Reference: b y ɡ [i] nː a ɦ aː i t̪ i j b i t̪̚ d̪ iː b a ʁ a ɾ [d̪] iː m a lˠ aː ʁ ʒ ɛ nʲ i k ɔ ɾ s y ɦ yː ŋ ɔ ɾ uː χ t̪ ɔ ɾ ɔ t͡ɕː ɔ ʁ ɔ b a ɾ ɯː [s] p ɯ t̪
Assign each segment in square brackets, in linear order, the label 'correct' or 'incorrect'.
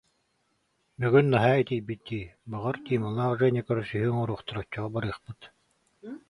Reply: incorrect: y, incorrect: t̪, incorrect: χ

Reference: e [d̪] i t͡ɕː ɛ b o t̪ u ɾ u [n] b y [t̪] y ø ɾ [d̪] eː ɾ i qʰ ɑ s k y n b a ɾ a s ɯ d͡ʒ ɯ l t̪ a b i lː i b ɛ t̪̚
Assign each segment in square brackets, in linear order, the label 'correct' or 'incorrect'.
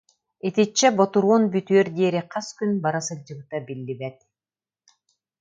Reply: incorrect: t̪, correct, correct, correct

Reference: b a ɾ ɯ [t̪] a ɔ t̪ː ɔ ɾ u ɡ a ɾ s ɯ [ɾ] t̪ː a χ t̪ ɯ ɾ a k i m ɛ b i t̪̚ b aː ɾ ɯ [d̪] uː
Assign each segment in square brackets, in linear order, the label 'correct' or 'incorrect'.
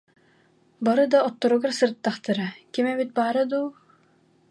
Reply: incorrect: d̪, correct, correct

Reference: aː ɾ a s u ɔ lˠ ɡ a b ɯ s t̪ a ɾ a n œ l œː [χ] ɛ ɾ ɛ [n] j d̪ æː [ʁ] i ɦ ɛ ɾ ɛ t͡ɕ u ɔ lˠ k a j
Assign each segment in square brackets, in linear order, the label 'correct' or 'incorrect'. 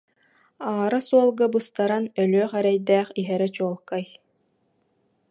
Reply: correct, incorrect: none, incorrect: χ

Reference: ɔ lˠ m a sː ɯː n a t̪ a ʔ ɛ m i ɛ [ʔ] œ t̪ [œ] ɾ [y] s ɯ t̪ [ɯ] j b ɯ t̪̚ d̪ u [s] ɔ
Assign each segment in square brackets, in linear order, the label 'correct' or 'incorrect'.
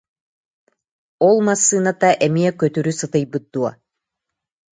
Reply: incorrect: k, incorrect: y, correct, correct, incorrect: none

